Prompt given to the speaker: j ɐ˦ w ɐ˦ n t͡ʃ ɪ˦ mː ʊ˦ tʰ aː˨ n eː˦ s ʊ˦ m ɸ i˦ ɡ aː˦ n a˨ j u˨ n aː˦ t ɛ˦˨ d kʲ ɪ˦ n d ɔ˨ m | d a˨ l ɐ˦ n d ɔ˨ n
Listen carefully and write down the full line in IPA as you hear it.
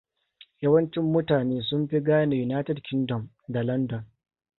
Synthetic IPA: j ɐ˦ w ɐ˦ n t͡ʃ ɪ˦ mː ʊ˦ t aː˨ n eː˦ s ʊ˦ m ɸ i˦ ɡ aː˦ n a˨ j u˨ n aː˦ t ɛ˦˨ d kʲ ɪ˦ n d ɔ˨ m | d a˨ l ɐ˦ n d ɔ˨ n